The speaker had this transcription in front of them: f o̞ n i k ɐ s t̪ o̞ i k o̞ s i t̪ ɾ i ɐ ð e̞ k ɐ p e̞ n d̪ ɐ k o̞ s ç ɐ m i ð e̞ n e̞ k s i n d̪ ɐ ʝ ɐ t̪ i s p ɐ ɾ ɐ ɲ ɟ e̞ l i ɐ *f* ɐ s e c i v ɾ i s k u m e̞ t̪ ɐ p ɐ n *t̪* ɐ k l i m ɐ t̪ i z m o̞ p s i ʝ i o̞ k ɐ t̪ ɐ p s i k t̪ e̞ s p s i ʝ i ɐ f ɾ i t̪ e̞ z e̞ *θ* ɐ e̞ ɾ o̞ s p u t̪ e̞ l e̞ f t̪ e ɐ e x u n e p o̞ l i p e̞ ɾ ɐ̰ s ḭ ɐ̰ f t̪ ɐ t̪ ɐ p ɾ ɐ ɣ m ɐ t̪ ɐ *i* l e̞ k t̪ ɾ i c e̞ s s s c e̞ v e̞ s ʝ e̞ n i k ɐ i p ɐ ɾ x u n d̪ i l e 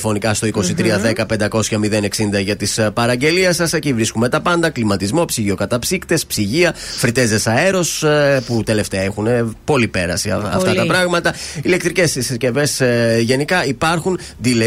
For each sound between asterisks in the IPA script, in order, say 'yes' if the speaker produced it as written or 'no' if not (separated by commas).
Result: no, no, no, yes